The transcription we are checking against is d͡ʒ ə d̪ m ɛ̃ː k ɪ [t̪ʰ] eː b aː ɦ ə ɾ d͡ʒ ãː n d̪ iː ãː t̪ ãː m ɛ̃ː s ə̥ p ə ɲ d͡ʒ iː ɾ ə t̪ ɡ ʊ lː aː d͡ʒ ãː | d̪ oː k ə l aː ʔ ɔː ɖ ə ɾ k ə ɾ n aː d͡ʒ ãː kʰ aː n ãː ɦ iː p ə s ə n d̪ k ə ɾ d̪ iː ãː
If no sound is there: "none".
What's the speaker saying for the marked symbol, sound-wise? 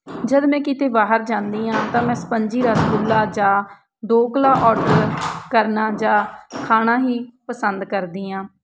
t̪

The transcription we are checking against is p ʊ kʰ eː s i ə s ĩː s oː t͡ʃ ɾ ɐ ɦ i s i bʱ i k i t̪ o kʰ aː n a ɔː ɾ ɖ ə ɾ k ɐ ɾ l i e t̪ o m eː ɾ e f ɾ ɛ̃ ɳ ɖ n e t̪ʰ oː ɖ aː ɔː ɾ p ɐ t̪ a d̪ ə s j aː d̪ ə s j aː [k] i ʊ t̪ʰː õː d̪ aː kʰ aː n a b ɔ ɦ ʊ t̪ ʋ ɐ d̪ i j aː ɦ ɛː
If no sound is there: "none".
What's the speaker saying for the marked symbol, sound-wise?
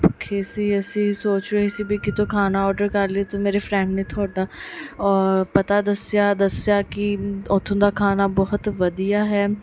k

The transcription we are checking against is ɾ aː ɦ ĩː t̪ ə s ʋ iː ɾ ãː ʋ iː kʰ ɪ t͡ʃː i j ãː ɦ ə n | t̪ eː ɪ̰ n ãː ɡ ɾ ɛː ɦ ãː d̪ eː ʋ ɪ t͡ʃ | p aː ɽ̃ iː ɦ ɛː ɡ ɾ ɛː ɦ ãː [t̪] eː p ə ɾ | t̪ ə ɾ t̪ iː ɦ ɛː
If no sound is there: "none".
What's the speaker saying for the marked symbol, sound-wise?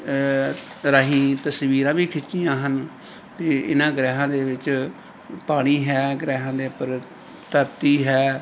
d̪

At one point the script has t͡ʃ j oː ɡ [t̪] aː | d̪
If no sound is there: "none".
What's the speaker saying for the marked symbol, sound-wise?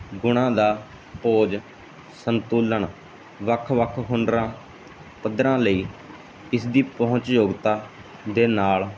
t̪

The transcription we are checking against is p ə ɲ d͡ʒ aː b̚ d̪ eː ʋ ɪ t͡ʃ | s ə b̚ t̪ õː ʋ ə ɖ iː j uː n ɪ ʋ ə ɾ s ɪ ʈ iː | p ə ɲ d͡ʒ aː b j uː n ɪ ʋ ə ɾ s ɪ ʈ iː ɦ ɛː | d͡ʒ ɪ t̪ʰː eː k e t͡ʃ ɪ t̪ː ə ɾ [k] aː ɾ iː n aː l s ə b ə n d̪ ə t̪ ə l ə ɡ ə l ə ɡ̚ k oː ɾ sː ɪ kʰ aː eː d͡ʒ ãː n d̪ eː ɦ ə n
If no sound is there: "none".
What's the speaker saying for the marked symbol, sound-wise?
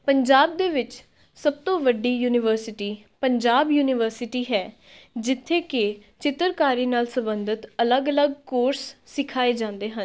k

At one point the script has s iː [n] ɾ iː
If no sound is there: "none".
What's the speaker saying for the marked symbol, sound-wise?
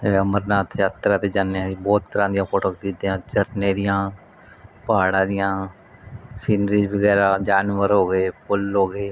n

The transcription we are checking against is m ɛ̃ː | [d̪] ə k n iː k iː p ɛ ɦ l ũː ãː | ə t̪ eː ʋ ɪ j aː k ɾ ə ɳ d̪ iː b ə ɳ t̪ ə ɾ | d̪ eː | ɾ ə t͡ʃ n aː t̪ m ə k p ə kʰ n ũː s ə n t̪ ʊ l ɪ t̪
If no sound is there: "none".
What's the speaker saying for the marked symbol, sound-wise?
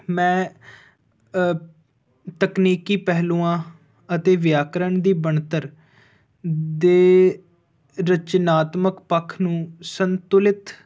t̪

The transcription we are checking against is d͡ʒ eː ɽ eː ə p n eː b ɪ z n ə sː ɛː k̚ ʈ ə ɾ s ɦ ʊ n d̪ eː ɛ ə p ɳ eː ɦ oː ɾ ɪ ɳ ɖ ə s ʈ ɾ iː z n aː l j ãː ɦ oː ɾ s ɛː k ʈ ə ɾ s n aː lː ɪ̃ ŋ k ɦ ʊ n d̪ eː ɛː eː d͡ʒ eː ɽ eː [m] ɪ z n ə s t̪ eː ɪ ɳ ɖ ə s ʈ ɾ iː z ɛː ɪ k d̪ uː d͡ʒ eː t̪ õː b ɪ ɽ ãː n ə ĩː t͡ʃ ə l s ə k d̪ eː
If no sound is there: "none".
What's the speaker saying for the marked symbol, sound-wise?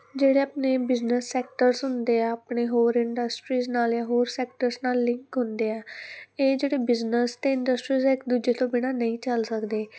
b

